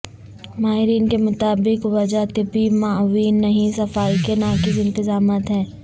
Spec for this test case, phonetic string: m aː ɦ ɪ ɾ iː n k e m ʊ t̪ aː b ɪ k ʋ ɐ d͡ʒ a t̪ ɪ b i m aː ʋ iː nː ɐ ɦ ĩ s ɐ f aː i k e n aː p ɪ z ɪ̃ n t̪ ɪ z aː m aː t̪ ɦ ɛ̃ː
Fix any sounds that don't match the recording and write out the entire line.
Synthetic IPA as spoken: m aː ɦ ɪ ɾ iː n k e m ʊ t̪ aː b ɪ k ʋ ɐ d͡ʒ a t̪ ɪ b i m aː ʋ iː nː ɐ ɦ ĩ s ɐ f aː i k e n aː k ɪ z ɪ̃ n t̪ ɪ z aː m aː t̪ ɦ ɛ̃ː